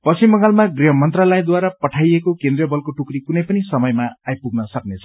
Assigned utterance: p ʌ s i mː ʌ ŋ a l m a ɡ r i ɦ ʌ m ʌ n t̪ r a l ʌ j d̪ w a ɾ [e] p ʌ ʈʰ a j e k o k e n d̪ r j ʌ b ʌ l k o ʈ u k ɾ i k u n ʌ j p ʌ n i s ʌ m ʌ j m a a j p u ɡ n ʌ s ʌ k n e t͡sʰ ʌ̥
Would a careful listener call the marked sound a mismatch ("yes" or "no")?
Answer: yes